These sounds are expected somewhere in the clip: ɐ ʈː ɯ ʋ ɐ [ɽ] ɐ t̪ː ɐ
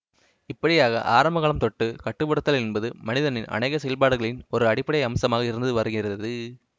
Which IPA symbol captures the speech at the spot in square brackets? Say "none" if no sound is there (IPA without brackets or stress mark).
ɽ